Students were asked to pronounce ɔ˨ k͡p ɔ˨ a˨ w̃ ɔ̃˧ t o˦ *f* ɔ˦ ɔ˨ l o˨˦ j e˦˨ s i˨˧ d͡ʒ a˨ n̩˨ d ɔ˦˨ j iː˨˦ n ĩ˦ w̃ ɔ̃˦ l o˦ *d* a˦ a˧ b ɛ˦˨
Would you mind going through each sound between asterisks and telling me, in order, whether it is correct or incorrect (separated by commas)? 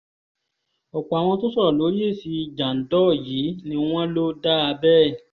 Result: incorrect, correct